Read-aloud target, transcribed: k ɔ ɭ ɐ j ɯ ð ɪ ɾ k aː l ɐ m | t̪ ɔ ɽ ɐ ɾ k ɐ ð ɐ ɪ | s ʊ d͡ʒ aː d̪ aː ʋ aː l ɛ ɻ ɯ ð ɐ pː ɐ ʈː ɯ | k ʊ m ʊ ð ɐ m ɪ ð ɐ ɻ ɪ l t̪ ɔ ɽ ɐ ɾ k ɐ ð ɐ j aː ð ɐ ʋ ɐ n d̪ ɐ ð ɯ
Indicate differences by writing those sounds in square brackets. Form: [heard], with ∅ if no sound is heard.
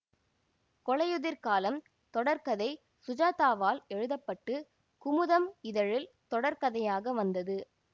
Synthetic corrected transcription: k ɔ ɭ ɐ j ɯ ð ɪ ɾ k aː l ɐ m | t̪ ɔ ɽ ɐ ɾ k ɐ ð ɐ ɪ | s ʊ d͡ʒ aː [t̪] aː ʋ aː l ɛ ɻ ɯ ð ɐ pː ɐ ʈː ɯ | k ʊ m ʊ ð ɐ m ɪ ð ɐ ɻ ɪ l t̪ ɔ ɽ ɐ ɾ k ɐ ð ɐ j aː [ɣ] ɐ ʋ ɐ n d̪ ɐ ð ɯ

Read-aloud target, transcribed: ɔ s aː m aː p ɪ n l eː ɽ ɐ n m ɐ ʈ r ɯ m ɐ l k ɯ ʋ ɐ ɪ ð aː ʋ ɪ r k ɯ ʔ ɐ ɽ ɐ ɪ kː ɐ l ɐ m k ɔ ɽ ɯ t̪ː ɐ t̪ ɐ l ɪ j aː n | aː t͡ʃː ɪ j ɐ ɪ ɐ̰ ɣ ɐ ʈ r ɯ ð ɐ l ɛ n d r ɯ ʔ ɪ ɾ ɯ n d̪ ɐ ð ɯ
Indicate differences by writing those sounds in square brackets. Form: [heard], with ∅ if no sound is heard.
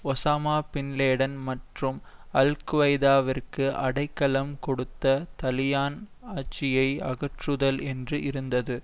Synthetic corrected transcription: ɔ s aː m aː p ɪ n l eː ɽ ɐ n m ɐ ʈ r ɯ m ɐ l k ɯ ʋ ɐ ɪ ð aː ʋ ɪ r k ɯ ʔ ɐ ɽ ɐ ɪ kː ɐ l ɐ m k ɔ ɽ ɯ t̪ː ɐ t̪ ɐ l ɪ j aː n | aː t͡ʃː ɪ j ɐ ɪ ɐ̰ ɣ ɐ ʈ r ɯ ð ɐ l ɛ n d r ɯ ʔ ɪ ɾ ɯ n d̪ ɐ ð ɯ

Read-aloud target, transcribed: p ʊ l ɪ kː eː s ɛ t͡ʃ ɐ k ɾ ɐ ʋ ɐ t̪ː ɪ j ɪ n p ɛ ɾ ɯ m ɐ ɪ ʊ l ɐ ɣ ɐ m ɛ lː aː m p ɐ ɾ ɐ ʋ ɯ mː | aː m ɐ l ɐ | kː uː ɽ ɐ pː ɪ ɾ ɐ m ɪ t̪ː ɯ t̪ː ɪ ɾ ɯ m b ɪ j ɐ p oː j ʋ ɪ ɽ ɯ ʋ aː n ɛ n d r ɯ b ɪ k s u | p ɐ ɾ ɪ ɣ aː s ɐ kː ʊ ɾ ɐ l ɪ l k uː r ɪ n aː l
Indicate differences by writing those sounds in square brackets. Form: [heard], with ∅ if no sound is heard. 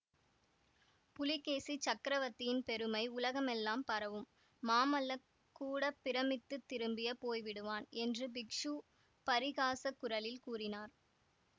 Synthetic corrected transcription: p ʊ l ɪ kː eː s [i] t͡ʃ ɐ k ɾ ɐ ʋ ɐ t̪ː ɪ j ɪ n p ɛ ɾ ɯ m ɐ ɪ ʊ l ɐ ɣ ɐ m ɛ lː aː m p ɐ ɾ ɐ ʋ ɯ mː | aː m ɐ l ɐ | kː uː ɽ ɐ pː ɪ ɾ ɐ m ɪ t̪ː ɯ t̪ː ɪ ɾ ɯ m b ɪ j ɐ p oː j ʋ ɪ ɽ ɯ ʋ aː n ɛ n d r ɯ b ɪ k [ʂ] u | p ɐ ɾ ɪ ɣ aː s ɐ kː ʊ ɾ ɐ l ɪ l k uː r ɪ n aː [ɾ]

